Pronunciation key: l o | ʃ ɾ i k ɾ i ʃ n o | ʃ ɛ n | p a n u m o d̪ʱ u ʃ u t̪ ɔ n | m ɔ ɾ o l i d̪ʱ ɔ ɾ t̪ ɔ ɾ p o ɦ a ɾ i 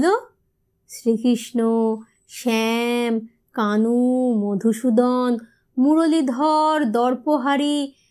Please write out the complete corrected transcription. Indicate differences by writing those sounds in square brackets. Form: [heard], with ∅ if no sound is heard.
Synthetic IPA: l o | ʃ ɾ i k ɾ i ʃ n o | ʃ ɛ [m] | [k] a n u m o d̪ʱ u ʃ u [d̪] ɔ n | m [u] ɾ o l i d̪ʱ ɔ ɾ [d̪] ɔ ɾ p o ɦ a ɾ i